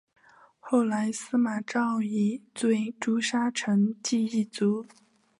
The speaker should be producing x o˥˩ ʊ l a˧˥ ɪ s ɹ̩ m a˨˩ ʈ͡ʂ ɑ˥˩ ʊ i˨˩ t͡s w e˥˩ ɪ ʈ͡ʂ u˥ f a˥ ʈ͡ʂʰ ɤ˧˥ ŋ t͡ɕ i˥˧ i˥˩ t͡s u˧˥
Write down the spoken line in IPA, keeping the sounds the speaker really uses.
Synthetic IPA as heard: x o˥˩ ʊ l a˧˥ ɪ s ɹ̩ m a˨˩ ʈ͡ʂ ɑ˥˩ ʊ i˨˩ t͡s w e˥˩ ɪ ʈ͡ʂ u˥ ʂ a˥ ʈ͡ʂʰ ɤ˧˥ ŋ t͡ɕ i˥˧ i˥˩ t͡s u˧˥